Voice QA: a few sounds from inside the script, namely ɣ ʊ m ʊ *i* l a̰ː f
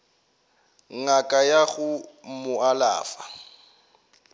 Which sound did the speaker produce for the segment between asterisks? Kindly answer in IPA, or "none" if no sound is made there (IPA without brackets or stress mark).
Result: a